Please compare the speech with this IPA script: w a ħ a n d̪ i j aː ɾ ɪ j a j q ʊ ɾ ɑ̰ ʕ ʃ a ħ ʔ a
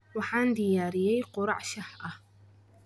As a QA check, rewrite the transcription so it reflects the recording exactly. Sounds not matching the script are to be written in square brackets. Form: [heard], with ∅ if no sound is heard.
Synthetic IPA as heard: w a ħ a n d̪ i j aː ɾ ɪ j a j q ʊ ɾ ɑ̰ ʕ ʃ a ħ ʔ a